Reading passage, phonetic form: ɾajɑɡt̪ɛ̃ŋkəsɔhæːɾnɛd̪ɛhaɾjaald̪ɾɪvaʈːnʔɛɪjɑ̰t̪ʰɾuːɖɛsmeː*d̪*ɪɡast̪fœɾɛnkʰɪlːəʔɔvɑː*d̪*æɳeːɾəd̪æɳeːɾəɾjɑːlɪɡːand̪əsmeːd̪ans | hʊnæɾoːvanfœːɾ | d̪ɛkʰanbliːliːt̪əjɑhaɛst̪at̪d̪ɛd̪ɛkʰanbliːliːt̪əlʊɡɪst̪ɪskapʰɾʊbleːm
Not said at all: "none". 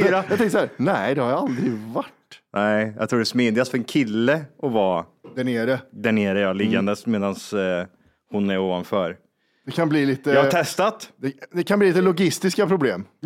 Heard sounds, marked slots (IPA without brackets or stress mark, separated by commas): d̪, d̪